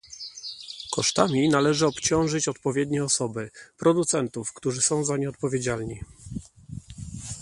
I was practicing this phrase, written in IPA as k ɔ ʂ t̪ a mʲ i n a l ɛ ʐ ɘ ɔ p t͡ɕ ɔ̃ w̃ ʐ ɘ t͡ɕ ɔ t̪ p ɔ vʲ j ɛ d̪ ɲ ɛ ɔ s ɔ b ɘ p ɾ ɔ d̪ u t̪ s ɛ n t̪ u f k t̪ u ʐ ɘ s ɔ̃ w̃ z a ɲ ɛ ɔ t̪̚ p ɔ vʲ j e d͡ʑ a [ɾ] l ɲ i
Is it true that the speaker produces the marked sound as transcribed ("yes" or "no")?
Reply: no